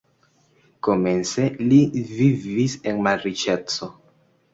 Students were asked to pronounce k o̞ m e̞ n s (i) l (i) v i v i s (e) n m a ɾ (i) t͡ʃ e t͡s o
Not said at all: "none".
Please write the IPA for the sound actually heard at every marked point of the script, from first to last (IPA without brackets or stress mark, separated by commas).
e, i, e, i